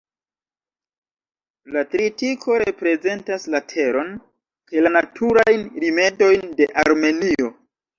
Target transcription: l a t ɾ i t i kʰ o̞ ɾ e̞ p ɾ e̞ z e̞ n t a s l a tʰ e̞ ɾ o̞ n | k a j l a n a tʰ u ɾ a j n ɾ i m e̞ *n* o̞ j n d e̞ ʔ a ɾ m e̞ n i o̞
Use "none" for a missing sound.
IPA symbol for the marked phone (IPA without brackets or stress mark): d